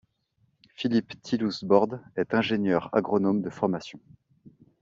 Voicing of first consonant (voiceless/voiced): voiceless